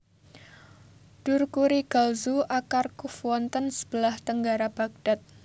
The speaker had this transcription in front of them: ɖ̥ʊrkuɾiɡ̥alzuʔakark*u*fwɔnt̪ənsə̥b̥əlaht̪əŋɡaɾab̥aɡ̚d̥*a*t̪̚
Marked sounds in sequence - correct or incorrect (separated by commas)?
correct, correct